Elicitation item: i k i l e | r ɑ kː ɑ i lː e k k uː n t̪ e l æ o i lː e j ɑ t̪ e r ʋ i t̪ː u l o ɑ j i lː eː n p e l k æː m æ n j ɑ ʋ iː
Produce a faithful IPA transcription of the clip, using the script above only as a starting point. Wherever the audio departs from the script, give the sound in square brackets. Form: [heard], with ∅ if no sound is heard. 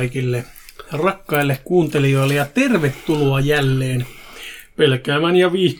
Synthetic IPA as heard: i k i [lː] e | r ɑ kː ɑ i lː e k k uː n t̪ e l [i] o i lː e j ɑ t̪ e r ʋ [e] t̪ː u l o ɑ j [æ] lː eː n p e l k æː m æ n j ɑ ʋ iː